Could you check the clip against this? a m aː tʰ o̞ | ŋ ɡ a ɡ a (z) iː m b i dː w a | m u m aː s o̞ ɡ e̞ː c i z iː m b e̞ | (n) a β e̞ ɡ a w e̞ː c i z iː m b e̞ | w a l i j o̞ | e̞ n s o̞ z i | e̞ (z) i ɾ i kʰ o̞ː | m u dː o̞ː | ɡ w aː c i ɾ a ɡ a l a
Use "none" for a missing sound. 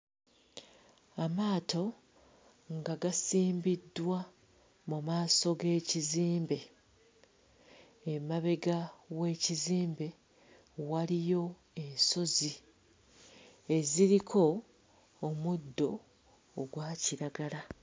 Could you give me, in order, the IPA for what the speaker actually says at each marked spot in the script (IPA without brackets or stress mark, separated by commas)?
s, m, z